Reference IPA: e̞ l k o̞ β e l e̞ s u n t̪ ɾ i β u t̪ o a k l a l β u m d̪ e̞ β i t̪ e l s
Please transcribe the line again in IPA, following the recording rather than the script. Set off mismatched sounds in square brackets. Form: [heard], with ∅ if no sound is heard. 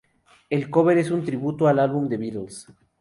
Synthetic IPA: e̞ l k o̞ β e [ɾ] e̞ s u n t̪ ɾ i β u t̪ o a [∅] l a l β u m d̪ e̞ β i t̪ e l s